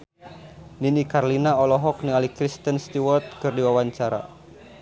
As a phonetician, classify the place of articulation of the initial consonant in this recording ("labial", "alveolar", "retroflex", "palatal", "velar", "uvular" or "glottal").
alveolar